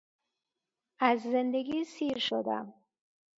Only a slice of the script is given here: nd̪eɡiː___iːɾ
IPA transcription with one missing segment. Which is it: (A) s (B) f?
A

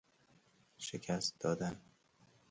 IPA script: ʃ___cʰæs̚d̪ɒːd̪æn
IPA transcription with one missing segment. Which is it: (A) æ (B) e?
B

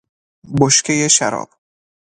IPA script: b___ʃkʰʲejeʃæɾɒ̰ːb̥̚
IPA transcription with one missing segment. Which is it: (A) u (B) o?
B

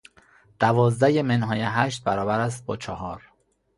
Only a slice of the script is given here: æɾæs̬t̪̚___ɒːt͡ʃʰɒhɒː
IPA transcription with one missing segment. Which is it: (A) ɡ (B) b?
B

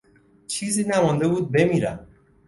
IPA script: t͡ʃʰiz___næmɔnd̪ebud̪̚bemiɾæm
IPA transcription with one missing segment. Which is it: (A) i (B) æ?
A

